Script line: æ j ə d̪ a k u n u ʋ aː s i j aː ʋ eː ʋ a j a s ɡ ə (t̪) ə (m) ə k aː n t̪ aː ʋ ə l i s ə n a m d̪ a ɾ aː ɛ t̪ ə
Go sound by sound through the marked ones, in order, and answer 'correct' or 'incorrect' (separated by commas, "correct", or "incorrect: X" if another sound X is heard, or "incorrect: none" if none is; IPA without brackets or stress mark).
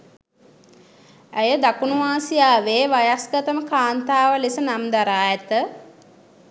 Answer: correct, correct